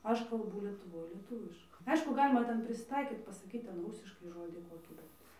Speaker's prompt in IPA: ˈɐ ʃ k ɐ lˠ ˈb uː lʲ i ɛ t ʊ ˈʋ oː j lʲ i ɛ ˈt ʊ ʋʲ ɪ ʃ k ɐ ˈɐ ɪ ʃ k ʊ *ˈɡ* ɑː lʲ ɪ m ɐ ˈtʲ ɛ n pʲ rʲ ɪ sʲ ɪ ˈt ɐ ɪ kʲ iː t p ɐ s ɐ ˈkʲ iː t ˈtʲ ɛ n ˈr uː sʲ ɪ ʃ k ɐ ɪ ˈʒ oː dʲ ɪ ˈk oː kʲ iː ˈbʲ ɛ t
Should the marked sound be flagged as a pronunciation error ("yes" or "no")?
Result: no